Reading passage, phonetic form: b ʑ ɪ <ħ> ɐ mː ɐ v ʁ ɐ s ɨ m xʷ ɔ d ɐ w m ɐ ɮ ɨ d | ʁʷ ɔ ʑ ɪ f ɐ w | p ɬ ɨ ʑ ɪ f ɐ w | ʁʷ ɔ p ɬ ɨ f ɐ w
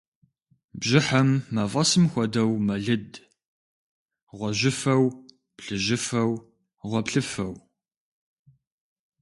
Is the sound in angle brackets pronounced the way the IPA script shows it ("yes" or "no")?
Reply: yes